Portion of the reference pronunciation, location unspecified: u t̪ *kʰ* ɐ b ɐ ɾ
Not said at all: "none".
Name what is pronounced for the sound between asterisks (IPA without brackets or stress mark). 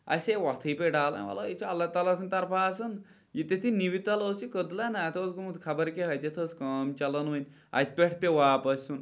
kʰ